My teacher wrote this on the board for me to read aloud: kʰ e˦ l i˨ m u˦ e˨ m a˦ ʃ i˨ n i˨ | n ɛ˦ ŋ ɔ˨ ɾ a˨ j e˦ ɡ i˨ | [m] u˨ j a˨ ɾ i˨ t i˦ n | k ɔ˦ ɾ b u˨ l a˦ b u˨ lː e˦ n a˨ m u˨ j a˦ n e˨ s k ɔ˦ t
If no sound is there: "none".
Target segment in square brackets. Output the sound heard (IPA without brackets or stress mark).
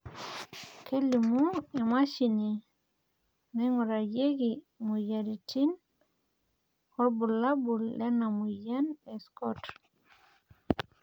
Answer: m